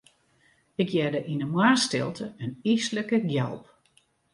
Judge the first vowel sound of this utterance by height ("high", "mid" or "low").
high